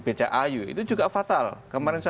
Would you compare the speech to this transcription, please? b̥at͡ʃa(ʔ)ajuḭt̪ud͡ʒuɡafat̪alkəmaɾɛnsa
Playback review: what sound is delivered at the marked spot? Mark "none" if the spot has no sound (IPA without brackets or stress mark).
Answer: ʔ